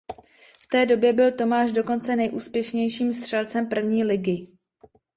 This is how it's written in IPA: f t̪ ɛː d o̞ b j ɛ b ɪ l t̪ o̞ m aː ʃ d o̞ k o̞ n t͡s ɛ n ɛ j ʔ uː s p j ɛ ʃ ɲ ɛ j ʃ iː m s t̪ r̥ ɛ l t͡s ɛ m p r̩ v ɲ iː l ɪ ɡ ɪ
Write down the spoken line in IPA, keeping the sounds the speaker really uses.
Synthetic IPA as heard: f t̪ ɛː d o̞ b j ɛ b ɪ l t̪ o̞ m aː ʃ d o̞ k o̞ n t͡s ɛ n ɛ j ʔ uː s p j ɛ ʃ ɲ ɛ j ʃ iː m s t̪ r̥ ɛ l t͡s ɛ m p r̩ v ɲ iː l ɪ ɡ ɪ